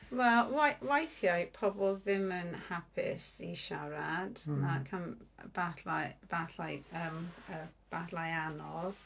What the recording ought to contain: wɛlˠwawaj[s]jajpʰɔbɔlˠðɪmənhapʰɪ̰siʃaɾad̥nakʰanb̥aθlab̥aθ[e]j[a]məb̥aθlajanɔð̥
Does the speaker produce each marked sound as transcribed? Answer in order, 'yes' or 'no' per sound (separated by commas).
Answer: no, no, no